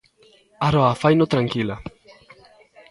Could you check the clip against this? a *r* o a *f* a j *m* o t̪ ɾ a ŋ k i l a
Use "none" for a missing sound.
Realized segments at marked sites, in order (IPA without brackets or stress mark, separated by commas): ɾ, f, n